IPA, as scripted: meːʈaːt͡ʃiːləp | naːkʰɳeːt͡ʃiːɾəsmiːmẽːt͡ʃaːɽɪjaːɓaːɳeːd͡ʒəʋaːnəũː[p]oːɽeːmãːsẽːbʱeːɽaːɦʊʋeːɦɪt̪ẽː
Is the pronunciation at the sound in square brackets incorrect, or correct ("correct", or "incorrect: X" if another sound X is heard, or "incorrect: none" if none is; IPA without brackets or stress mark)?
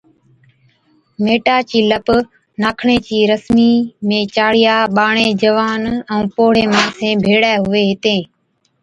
correct